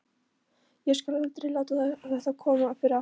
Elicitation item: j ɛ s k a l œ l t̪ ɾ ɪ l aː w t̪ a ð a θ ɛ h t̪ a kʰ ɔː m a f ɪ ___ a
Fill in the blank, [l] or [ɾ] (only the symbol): ɾ